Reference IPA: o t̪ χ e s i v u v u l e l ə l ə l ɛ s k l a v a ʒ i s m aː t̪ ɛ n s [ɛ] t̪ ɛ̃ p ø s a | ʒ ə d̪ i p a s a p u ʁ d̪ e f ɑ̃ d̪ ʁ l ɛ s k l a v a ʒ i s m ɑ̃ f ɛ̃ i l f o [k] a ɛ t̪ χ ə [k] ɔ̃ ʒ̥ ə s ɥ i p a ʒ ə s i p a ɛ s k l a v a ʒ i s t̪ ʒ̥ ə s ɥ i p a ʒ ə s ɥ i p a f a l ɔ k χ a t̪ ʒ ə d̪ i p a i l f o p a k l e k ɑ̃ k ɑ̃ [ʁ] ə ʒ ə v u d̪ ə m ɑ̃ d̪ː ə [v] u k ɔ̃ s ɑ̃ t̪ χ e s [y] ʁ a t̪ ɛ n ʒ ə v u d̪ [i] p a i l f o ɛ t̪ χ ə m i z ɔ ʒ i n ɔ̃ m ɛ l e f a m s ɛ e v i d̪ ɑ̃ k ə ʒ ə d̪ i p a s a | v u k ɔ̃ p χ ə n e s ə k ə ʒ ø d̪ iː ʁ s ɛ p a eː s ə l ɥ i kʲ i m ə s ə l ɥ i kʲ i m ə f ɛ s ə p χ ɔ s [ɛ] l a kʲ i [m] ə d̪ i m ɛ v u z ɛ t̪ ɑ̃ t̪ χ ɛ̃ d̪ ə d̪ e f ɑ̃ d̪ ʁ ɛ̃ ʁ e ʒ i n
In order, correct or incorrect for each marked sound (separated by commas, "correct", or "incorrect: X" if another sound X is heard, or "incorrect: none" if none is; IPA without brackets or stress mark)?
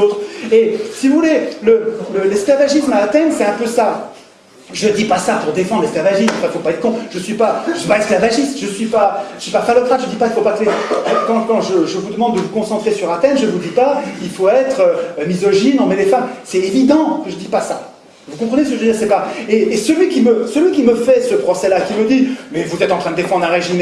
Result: correct, incorrect: p, correct, incorrect: ʒ, correct, correct, correct, correct, correct